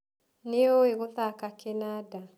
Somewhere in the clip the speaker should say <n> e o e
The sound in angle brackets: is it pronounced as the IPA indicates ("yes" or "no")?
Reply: yes